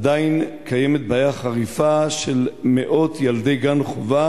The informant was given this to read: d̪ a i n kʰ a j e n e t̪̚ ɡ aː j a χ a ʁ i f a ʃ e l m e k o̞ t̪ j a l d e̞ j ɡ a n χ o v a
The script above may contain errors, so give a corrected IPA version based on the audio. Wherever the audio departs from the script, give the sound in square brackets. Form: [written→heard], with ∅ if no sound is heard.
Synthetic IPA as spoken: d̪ a i n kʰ a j e [n→m] e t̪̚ [ɡ→b] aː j a χ a ʁ i f a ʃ e l m e [k→ʔ] o̞ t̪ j a l d e̞ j ɡ a n χ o v a